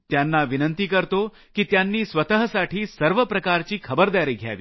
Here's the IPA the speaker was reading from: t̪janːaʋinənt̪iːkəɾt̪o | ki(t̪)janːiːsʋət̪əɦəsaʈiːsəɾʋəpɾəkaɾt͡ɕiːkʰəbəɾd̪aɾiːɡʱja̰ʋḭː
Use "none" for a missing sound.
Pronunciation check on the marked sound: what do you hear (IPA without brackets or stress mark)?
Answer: t̪